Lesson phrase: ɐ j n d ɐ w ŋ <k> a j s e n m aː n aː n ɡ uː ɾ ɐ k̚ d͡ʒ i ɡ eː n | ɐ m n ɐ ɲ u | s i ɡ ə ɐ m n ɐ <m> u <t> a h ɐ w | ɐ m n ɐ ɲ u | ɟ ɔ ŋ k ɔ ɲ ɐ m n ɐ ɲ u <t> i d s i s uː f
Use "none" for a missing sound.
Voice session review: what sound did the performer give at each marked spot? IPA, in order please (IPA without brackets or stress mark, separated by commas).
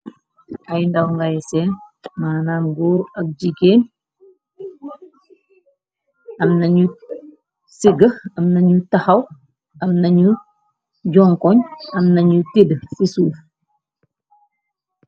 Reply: ɡ, ɲ, t, t